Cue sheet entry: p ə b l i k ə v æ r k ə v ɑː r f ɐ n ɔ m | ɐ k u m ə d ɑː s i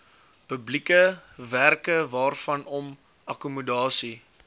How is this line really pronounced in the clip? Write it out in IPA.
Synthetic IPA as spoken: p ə b l i k ə v æ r k ə v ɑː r f ɐ n ɔ m | ɐ k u m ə d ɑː s i